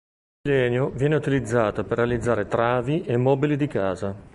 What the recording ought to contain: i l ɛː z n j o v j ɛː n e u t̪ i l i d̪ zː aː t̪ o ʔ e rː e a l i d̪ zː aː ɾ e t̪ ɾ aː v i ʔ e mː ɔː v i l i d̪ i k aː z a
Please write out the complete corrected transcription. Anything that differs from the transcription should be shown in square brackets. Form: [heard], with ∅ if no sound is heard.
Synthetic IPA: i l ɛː [∅] n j o v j ɛː n e u t̪ i l i d̪ zː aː t̪ o [p] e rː e a l i d̪ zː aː ɾ e t̪ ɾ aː v i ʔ e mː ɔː [b] i l i d̪ i k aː z a